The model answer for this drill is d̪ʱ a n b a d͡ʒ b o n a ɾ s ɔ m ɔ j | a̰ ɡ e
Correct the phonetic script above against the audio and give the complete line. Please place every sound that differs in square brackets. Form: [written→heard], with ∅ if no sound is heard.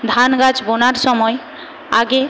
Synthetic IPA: d̪ʱ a n [b→ɡ] a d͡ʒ b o n a ɾ s ɔ m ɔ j | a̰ ɡ e

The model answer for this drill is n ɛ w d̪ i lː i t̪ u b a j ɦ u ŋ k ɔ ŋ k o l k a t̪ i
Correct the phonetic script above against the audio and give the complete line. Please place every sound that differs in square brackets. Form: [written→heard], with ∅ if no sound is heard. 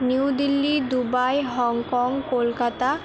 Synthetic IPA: n [ɛ→i] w d̪ i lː i [t̪→d̪] u b a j ɦ [u→ɔ] ŋ k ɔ ŋ k o l k a t̪ [i→a]

